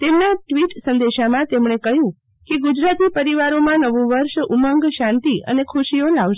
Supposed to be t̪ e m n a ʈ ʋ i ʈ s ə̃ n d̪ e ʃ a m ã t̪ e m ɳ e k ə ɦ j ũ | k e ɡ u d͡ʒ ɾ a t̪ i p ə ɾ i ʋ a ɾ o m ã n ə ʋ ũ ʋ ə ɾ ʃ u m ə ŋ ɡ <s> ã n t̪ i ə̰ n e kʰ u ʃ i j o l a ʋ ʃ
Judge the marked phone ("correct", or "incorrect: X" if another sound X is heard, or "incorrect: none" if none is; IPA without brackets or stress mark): incorrect: ʃ